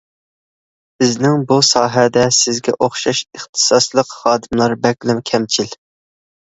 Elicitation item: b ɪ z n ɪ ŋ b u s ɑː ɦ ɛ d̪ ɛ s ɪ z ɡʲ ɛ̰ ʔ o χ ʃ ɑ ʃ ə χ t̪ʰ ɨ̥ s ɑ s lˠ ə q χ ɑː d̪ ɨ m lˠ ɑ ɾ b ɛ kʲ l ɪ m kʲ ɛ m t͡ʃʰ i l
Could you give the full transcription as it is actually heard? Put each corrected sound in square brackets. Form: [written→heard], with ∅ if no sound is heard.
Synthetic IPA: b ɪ z n ɪ ŋ b u s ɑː ɦ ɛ d̪ ɛ s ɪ z ɡʲ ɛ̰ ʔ o χ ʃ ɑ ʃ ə χ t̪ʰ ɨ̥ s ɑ s lˠ ə q χ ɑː d̪ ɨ m lˠ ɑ ɾ b ɛ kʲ l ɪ m [kʲ→kʲʰ] ɛ m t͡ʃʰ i l